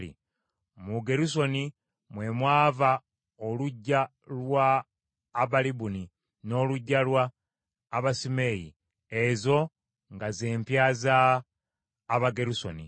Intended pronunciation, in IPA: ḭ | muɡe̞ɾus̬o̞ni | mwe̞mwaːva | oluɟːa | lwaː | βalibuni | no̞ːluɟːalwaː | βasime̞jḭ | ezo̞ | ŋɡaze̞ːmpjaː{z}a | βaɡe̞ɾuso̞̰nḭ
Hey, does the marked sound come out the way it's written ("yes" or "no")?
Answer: yes